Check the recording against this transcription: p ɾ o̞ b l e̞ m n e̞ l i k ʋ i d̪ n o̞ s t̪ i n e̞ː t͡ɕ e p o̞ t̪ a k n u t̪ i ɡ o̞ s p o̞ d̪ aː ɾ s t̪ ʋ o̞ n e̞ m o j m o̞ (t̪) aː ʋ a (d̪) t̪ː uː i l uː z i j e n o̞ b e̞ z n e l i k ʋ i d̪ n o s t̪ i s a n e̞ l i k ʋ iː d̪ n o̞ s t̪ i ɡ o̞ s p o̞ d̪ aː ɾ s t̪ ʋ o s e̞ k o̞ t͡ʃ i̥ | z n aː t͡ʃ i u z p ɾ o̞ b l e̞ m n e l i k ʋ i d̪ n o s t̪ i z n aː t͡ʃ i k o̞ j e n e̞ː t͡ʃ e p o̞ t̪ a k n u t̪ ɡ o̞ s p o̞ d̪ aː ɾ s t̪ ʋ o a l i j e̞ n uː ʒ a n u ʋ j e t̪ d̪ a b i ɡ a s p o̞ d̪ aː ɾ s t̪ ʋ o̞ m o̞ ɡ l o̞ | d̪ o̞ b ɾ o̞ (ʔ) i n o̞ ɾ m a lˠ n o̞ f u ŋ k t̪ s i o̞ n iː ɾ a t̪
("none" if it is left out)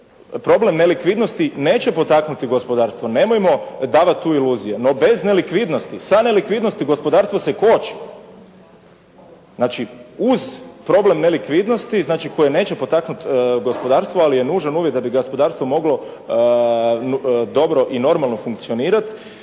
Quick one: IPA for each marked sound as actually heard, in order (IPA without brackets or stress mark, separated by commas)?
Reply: d̪, t̪, ʔ